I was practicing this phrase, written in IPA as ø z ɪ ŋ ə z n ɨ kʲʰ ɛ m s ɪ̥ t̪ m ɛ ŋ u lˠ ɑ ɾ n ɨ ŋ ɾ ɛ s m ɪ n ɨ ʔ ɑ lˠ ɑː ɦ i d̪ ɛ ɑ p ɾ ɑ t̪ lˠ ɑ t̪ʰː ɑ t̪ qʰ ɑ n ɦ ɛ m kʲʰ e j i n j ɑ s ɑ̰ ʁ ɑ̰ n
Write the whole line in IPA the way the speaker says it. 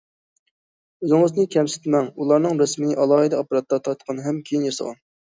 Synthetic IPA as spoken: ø z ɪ ŋ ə z n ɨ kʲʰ ɛ m s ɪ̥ t̪ m ɛ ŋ u lˠ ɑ ɾ n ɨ ŋ ɾ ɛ s m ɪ n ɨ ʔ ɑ lˠ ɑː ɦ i d̪ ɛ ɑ p ɾ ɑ t̪ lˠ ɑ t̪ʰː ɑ t̪ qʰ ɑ n ɦ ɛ m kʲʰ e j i n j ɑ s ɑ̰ ʁ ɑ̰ n

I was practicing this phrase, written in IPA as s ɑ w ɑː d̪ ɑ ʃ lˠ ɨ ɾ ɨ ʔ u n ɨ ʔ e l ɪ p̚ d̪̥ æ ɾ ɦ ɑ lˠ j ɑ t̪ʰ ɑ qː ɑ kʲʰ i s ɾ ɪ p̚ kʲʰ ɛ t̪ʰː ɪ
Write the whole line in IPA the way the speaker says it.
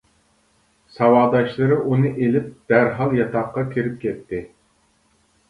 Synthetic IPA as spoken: s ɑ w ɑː d̪ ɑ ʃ lˠ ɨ ɾ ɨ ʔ u n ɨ ʔ e l ɪ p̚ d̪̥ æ ɾ ɦ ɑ lˠ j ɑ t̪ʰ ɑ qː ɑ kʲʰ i ɾ ɪ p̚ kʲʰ ɛ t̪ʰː ɪ

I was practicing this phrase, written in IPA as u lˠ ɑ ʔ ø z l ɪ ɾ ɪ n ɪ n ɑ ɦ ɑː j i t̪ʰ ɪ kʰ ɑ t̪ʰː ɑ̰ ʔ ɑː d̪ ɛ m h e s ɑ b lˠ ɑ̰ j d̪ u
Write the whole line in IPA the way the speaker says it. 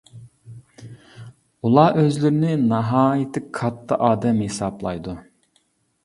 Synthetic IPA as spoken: u lˠ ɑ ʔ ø z l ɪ ɾ ɪ n ɪ n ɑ ɦ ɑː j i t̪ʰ ɪ kʰ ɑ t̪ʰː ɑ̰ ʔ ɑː d̪ ɛ m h e s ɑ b lˠ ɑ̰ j d̪ u

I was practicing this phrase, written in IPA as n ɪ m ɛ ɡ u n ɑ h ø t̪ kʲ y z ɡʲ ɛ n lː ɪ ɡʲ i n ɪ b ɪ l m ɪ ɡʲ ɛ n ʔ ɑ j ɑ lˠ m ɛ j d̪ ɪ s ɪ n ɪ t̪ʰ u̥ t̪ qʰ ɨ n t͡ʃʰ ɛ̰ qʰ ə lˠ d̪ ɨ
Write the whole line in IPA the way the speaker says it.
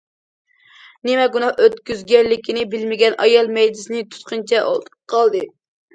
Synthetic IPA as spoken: n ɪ m ɛ ɡ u n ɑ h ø t̪ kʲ y z ɡʲ ɛ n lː ɪ kʲ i n ɪ b ɪ l m ɪ ɡʲ ɛ n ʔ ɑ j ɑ lˠ m ɛ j d̪ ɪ s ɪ n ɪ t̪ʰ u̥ t̪ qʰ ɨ n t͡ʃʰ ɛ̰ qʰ ɑ lˠ d̪ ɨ

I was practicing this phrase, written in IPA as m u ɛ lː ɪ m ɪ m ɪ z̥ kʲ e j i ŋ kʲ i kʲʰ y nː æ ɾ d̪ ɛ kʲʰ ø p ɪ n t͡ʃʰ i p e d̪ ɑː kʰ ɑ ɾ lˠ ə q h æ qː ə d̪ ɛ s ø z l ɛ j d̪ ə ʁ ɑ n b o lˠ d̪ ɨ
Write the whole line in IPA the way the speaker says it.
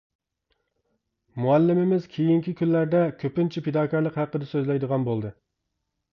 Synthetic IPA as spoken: m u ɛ lː ɪ m ɪ m ɪ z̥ kʲʰ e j i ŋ kʲ i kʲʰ y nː æ ɾ d̪ ɛ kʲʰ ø p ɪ n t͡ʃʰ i p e d̪ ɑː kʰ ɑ ɾ lˠ ə q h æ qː ə d̪ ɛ s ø z l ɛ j d̪ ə ʁ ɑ n b o lˠ d̪ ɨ

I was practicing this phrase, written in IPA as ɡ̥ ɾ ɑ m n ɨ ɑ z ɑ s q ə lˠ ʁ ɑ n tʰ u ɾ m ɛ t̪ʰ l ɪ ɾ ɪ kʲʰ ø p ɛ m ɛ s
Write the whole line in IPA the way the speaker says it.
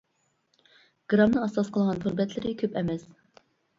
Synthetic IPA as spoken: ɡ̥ ɾ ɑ m n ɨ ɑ s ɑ s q ə lˠ ʁ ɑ n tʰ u ɾ b ɛ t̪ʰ l ɪ ɾ ɪ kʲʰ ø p ɛ m ɛ s

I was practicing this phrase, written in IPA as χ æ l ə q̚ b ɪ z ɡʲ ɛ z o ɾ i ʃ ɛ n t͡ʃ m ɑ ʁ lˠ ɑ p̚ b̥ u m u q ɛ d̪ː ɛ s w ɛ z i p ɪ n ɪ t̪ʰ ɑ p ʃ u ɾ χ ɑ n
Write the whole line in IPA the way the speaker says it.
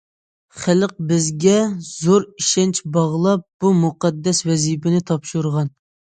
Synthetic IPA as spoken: χ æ l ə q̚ b ɪ z ɡʲ ɛ z o ɾ i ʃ ɛ n t͡ʃ b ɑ ʁ lˠ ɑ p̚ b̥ u m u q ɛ d̪ː ɛ s w ɛ z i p ɪ n ɪ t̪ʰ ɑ p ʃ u ɾ ʁ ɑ n

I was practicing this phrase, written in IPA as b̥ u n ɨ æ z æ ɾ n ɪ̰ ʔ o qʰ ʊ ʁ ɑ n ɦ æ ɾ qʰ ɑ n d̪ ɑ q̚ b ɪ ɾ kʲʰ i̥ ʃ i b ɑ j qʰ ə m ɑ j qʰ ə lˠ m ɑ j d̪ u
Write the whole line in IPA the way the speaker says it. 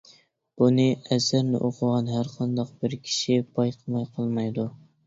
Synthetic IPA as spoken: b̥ u n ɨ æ z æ ɾ n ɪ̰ ʔ o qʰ ʊ ʁ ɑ n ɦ æ ɾ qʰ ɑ n d̪ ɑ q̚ b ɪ ɾ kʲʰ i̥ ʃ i b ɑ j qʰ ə m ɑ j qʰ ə lˠ m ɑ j d̪ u

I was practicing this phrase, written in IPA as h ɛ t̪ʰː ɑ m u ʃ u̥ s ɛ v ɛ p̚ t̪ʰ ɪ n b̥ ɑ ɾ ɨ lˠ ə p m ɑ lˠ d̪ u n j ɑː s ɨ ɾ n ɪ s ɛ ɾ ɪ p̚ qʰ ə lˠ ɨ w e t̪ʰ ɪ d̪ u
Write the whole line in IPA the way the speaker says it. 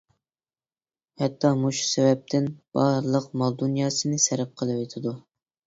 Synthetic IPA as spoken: h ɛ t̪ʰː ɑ m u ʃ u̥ s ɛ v ɛ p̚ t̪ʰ ɪ n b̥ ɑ ɾ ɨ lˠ ə q m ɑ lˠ d̪ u n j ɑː s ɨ n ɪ s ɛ ɾ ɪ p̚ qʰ ə lˠ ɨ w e t̪ʰ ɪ d̪ u

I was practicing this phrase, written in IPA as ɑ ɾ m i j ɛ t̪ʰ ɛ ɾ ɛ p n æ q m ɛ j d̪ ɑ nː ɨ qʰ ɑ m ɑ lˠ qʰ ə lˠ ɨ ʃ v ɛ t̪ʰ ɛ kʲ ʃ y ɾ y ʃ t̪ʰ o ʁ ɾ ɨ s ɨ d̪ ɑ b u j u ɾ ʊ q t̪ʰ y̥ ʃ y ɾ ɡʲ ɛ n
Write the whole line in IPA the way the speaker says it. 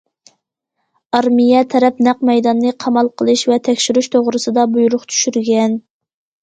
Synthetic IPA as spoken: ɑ ɾ m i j ɛ t̪ʰ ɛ ɾ ɛ p n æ q m ɛ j d̪ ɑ nː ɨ qʰ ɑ m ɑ lˠ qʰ ə lˠ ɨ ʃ v ɛ t̪ʰ ɛ kʲ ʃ y ɾ y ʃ t̪ʰ o ʁ ɾ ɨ s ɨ d̪ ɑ b u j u ɾ ʊ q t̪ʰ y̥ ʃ y ɾ ɡʲ ɛ n

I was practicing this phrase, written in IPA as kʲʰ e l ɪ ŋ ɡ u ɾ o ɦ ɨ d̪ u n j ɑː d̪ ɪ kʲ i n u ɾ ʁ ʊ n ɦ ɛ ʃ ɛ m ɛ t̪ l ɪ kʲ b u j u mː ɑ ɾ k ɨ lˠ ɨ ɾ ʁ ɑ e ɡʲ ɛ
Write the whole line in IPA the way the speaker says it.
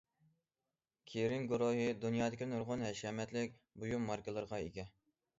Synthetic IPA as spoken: kʲʰ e ɾ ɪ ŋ ɡ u ɾ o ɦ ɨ d̪ u n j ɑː d̪ ɪ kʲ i n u ɾ ʁ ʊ n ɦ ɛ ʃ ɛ m ɛ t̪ l ɪ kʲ b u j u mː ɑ ɾ k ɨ lˠ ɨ ɾ ʁ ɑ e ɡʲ ɛ

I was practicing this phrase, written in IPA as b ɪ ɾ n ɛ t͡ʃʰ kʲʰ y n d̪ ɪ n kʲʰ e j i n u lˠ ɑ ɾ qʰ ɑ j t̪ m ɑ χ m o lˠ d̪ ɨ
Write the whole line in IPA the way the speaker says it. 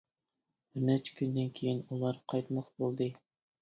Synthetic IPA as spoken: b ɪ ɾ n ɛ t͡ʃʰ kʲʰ y n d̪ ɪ n kʲʰ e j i n u lˠ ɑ ɾ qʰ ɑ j t̪ m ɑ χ b o lˠ d̪ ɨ

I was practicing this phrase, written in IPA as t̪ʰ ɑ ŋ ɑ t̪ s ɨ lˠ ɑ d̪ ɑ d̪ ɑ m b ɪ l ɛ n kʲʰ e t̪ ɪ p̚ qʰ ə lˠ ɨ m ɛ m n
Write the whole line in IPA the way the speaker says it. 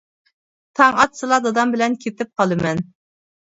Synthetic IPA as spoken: t̪ʰ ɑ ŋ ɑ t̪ s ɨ lˠ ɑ d̪ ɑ d̪ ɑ m b ɪ l ɛ n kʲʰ e t̪ ɪ p̚ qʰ ɑ lˠ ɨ m ɛ n

